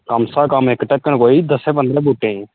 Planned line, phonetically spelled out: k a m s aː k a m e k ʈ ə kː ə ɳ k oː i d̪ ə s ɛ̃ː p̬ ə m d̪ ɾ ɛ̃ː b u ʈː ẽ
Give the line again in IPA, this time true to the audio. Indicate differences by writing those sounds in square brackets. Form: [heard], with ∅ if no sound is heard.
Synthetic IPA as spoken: k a m s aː k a m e k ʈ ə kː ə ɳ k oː i d̪ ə s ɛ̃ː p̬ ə [n] d̪ ɾ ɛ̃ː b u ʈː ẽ